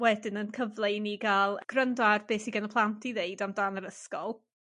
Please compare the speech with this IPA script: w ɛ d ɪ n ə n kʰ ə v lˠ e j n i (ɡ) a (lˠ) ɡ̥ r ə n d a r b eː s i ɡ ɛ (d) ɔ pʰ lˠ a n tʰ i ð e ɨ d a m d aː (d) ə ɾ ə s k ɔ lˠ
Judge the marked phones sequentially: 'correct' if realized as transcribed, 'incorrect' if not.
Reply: correct, correct, incorrect: n, incorrect: n

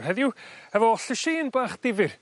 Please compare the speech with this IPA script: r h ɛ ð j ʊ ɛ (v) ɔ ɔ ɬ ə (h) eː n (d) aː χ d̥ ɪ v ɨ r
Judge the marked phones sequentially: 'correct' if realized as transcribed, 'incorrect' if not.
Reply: correct, incorrect: ʃ, incorrect: b

